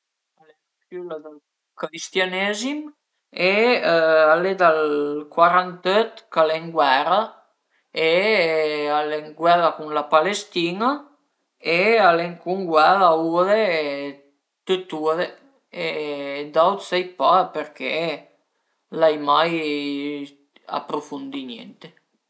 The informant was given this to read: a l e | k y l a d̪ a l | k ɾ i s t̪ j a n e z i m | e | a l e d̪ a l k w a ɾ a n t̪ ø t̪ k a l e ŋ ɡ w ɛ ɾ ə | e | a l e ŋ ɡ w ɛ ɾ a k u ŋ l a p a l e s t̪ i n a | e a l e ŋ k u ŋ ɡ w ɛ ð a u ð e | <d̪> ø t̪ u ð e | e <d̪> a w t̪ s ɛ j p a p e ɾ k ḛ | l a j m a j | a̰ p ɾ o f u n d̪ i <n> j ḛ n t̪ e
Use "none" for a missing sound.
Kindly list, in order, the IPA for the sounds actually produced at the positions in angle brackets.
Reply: t̪, d̪, n

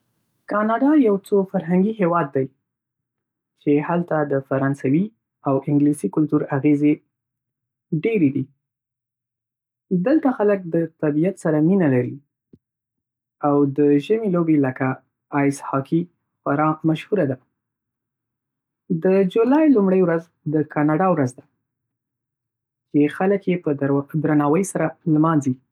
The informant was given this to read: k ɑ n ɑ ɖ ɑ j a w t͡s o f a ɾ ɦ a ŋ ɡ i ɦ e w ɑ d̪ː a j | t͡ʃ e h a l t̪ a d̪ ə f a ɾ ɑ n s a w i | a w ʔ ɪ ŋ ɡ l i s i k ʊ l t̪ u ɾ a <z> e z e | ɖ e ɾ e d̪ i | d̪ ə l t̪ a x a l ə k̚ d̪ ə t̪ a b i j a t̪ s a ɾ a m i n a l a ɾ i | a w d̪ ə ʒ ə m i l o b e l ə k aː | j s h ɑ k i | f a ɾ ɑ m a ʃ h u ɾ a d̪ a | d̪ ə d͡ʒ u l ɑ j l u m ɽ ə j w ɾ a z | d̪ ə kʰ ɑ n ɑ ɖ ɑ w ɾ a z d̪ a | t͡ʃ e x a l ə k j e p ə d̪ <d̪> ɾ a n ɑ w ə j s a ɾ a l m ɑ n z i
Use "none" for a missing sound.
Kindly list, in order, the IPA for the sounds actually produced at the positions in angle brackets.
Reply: ɣ, d̪

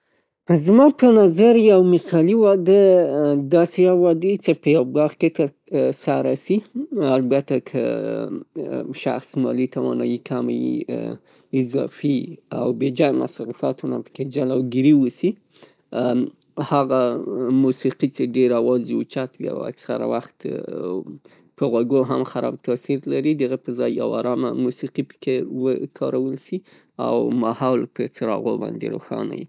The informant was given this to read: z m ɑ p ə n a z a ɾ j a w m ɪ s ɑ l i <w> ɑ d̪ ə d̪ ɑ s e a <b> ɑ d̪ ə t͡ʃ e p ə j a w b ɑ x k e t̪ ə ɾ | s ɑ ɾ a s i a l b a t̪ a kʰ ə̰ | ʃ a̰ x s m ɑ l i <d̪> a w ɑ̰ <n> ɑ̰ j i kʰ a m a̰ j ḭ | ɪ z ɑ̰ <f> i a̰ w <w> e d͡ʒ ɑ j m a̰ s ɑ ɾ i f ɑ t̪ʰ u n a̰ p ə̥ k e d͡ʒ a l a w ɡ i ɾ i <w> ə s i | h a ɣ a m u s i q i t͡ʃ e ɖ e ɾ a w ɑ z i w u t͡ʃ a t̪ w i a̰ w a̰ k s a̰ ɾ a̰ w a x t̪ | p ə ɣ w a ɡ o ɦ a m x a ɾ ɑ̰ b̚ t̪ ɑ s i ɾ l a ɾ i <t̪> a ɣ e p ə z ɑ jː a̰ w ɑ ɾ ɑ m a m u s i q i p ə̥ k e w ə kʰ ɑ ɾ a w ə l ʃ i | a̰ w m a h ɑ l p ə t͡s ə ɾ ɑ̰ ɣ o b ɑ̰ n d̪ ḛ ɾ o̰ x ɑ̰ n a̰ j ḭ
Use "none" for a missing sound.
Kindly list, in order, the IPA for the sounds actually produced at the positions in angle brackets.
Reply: w, w, t̪, n, f, b, w, d̪

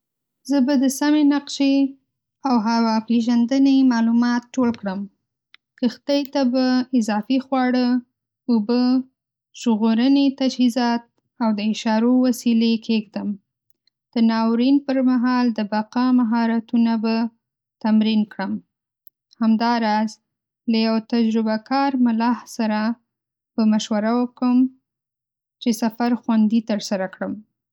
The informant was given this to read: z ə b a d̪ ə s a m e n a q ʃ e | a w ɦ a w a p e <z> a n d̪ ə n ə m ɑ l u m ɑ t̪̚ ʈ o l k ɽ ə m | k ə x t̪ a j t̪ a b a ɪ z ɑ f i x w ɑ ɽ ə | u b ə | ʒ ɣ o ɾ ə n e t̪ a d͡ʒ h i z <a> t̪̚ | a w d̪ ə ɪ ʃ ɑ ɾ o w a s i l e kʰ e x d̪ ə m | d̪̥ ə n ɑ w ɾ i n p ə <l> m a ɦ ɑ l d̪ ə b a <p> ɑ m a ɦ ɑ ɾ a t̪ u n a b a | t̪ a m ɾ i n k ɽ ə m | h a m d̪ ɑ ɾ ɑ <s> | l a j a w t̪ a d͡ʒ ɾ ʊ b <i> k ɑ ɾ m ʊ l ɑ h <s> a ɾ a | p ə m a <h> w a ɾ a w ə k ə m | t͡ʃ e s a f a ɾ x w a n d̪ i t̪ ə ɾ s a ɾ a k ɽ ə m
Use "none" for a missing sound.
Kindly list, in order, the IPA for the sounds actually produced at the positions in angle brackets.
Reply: ʒ, ɑ, ɾ, q, z, a, s, ʃ

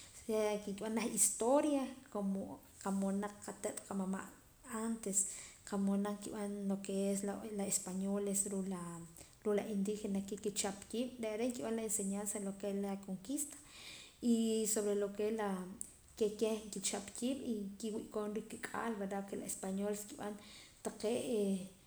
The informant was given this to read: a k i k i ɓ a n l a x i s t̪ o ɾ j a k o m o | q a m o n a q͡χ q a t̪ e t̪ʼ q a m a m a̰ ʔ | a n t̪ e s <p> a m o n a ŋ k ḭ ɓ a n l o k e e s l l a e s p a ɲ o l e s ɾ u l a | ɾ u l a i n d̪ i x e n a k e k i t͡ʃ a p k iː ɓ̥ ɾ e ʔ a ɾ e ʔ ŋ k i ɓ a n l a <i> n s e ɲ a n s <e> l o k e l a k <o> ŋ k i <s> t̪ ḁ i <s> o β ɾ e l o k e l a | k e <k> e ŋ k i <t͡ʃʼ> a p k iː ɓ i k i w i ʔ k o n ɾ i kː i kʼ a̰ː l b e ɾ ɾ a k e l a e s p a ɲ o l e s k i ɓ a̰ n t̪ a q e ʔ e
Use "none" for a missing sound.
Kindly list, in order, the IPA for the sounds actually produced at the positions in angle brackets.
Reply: q, e, a, o, s, s, k, t͡ʃ

